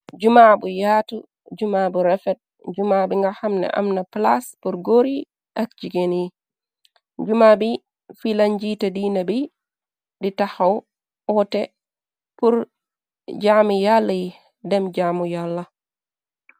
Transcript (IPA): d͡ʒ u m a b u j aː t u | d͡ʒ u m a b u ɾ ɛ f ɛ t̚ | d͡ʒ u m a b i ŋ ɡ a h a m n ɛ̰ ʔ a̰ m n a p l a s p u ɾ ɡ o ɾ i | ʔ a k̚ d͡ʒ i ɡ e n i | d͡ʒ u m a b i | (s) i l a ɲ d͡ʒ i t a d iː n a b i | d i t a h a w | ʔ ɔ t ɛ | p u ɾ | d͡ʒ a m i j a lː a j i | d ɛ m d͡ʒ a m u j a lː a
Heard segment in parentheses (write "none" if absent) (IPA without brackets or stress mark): f